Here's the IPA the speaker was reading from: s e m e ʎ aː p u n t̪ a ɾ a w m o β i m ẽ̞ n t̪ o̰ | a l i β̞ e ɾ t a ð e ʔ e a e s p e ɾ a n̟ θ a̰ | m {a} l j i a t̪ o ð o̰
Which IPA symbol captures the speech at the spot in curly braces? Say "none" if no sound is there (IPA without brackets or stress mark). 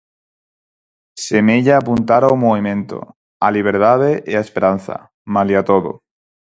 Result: a